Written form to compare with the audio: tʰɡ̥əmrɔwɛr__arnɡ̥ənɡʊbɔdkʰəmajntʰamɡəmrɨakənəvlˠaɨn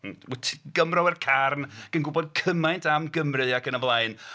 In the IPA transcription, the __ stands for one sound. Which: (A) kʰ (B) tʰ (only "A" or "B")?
A